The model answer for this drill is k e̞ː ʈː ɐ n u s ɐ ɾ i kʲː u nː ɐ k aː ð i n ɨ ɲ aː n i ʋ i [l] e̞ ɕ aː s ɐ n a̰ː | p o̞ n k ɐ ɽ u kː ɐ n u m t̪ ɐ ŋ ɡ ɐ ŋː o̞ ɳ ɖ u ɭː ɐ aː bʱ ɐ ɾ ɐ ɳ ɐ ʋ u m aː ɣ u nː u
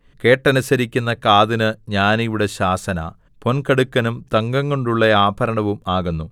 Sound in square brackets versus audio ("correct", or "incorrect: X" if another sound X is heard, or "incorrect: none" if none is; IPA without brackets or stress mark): incorrect: ɽ